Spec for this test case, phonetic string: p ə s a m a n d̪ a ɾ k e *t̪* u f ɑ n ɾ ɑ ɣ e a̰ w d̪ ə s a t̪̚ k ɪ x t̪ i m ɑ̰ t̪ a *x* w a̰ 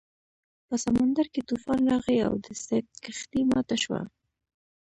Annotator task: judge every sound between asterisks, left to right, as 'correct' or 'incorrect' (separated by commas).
correct, incorrect